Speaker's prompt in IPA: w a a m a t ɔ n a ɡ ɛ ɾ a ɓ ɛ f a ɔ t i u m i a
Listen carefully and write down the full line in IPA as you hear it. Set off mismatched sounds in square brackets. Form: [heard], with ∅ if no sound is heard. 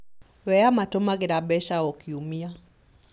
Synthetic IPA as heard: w [ɛ] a m a t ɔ [m] a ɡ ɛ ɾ a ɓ ɛ [ʃ] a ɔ [k] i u m i a